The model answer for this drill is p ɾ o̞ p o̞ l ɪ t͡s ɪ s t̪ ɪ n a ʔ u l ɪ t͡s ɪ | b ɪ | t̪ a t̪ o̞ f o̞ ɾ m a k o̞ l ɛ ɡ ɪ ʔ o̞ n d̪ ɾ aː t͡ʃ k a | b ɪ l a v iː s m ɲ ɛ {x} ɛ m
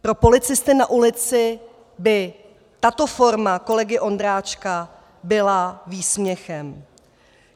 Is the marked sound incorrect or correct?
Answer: correct